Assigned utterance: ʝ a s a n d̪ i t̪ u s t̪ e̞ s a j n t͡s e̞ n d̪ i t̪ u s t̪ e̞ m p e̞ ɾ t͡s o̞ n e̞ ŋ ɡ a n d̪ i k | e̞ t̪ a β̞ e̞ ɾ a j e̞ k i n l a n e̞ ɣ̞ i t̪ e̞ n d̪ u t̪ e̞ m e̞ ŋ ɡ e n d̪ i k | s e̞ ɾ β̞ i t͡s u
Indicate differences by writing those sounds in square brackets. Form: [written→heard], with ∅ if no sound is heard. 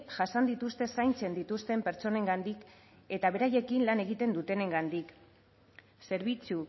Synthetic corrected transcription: ʝ a s a n d̪ i t̪ u s t̪ e̞ s a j n t͡s e̞ n d̪ i t̪ u s t̪ e̞ m p e̞ ɾ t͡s o̞ n e̞ ŋ ɡ a n d̪ i k | e̞ t̪ a β̞ e̞ ɾ a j e̞ k i n l a n e̞ ɣ̞ i t̪ e̞ n d̪ u t̪ e̞ [m→n] e̞ ŋ ɡ [e→a] n d̪ i k | s e̞ ɾ β̞ i t͡s u

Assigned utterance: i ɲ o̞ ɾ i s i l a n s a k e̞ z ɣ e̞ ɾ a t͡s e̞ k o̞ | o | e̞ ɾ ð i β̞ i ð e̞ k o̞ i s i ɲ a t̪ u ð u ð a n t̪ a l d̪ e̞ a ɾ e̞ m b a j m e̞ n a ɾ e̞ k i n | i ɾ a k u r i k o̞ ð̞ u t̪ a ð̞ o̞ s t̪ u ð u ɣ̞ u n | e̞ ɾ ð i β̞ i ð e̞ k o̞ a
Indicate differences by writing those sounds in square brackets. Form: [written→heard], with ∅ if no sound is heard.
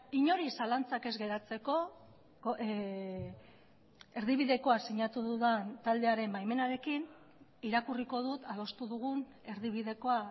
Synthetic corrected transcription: i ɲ o̞ ɾ i s [i→a] l a n [s→t͡s] a k e̞ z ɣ e̞ ɾ a t͡s e̞ k o̞ | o | e̞ ɾ ð i β̞ i ð e̞ k o̞ [i→a] s i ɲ a t̪ u ð u ð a n t̪ a l d̪ e̞ a ɾ e̞ m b a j m e̞ n a ɾ e̞ k i n | i ɾ a k u r i k o̞ ð̞ u t̪ a ð̞ o̞ s t̪ u ð u ɣ̞ u n | e̞ ɾ ð i β̞ i ð e̞ k o̞ a

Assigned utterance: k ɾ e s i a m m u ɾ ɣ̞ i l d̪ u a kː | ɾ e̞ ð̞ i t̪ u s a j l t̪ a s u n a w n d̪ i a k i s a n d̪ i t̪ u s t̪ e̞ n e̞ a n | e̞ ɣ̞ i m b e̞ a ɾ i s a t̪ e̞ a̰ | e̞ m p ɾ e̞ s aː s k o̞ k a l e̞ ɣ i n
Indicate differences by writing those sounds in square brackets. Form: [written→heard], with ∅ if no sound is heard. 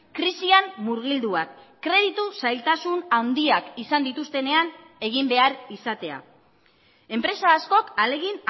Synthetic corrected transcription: k ɾ [e→i] s i a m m u ɾ ɣ̞ i l d̪ u a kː | ɾ e̞ ð̞ i t̪ u s a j l t̪ a s u n a w n d̪ i a k i s a n d̪ i t̪ u s t̪ e̞ n e̞ a n | e̞ ɣ̞ i m b e̞ a ɾ i s a t̪ e̞ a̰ | e̞ m p ɾ e̞ s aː s k o̞ k a l e̞ ɣ i n

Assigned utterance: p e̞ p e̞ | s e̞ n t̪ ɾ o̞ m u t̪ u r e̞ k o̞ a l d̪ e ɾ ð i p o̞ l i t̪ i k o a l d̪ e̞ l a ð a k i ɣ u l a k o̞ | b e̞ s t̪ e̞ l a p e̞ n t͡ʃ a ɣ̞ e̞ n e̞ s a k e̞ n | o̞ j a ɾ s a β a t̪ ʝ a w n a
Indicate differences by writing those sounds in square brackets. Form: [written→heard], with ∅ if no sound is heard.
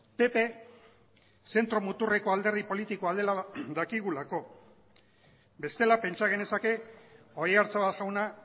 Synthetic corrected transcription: p e̞ p e̞ | s e̞ n t̪ ɾ o̞ m u t̪ u r e̞ k o̞ a l d̪ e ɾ ð i p o̞ l i t̪ i k o a l d̪ e̞ l a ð a k i ɣ u l a k o̞ | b e̞ s t̪ e̞ l a p e̞ n t͡ʃ a ɣ̞ e̞ n e̞ s a k e̞ [n→∅] | o̞ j a ɾ [s→t͡s] a β a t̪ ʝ a w n a

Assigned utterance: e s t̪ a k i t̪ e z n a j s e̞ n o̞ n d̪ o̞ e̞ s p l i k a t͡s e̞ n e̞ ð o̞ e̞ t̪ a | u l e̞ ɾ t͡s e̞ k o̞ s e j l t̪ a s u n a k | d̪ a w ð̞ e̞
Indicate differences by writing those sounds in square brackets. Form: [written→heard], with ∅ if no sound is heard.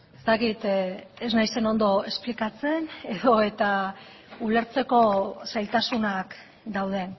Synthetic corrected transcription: e s t̪ a k i t̪ e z n a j s e̞ n o̞ n d̪ o̞ e̞ s p l i k a t͡s e̞ n e̞ ð o̞ e̞ t̪ a | u l e̞ ɾ t͡s e̞ k o̞ s [e→a] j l t̪ a s u n a k | d̪ a w ð̞ e̞

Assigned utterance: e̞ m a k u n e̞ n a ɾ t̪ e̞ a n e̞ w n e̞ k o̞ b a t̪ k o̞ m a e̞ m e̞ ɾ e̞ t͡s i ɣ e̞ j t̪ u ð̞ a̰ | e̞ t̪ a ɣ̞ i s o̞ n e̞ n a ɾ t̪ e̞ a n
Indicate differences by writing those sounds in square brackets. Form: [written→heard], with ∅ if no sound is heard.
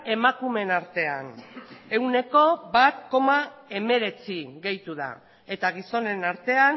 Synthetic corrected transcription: e̞ m a k u [n→m] e̞ n a ɾ t̪ e̞ a n e̞ w n e̞ k o̞ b a t̪ k o̞ m a e̞ m e̞ ɾ e̞ t͡s i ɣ e̞ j t̪ u ð̞ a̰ | e̞ t̪ a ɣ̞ i s o̞ n e̞ n a ɾ t̪ e̞ a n

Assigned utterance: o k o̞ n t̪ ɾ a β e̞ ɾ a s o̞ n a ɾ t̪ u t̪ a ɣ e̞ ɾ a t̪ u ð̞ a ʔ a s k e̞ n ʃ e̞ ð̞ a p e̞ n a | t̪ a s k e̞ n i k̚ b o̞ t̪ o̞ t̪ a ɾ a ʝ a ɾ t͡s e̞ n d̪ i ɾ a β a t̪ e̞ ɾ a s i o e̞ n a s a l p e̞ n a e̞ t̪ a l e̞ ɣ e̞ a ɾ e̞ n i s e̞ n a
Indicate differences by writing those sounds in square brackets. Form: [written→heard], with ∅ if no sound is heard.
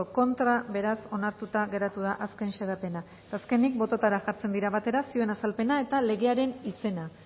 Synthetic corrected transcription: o k o̞ n t̪ ɾ a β e̞ ɾ a s o̞ n a ɾ t̪ u t̪ a ɣ e̞ ɾ a t̪ u ð̞ a ʔ a s k e̞ n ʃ e̞ ð̞ a p e̞ n a | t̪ a s k e̞ n i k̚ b o̞ t̪ o̞ t̪ a ɾ a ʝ a ɾ t͡s e̞ n d̪ i ɾ a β a t̪ e̞ ɾ a s i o e̞ n a s a l p e̞ n a e̞ t̪ a l e̞ ɣ e̞ a ɾ e̞ n i s e̞ n a

